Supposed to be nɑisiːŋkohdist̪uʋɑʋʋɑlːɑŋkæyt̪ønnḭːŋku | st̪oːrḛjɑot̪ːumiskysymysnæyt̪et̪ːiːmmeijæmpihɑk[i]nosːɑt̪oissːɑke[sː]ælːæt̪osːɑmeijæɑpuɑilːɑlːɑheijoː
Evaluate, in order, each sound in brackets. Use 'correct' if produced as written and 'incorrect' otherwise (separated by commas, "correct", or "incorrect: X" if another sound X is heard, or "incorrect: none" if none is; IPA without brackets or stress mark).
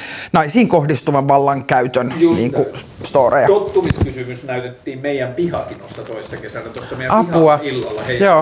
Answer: correct, incorrect: s